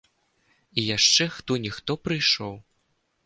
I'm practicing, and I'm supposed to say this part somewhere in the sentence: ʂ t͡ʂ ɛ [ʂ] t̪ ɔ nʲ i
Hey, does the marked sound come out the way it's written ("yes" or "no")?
no